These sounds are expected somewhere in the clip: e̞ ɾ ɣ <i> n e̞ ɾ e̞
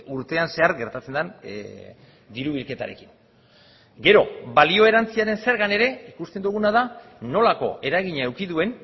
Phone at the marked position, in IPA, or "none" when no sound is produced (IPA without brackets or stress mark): a